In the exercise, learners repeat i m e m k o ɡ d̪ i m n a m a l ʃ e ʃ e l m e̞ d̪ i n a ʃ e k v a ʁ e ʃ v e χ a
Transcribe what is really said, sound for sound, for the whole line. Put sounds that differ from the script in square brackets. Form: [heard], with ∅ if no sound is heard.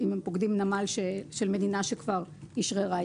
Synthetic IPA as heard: i m e m [p] o ɡ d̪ i m n a m a l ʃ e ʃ e l m e̞ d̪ i n a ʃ e k v a ʁ [i] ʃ [ʁ] e [ʁ] a